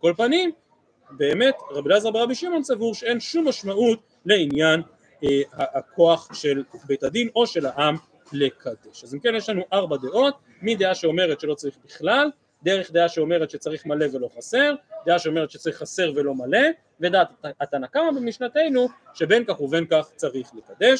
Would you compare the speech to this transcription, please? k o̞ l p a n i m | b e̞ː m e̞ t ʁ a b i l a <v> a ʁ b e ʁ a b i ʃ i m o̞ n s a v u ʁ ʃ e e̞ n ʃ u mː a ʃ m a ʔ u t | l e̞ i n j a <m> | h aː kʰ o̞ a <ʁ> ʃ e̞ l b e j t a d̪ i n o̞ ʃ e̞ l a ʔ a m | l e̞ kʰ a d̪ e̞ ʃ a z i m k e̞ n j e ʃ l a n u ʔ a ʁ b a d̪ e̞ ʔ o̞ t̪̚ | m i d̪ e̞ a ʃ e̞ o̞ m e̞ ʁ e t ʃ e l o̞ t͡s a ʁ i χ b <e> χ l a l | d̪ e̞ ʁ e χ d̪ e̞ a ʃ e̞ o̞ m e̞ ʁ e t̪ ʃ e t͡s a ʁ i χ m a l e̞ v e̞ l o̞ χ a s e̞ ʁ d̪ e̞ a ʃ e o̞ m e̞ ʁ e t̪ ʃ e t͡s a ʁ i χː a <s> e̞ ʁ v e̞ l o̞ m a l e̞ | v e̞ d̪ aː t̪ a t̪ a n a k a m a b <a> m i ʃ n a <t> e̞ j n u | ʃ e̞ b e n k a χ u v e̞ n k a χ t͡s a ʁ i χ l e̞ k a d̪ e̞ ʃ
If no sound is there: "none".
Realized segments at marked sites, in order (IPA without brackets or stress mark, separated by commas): z, n, χ, i, s, e, t